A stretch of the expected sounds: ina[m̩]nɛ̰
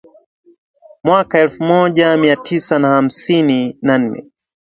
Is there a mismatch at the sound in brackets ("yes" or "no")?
yes